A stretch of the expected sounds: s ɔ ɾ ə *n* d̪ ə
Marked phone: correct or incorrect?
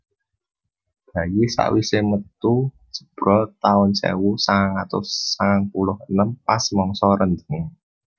correct